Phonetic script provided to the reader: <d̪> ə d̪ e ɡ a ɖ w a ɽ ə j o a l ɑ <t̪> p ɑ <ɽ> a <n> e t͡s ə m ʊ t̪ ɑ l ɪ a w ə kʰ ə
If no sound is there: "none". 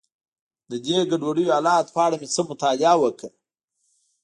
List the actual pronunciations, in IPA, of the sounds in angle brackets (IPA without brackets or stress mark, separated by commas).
d̪, t̪, ɽ, m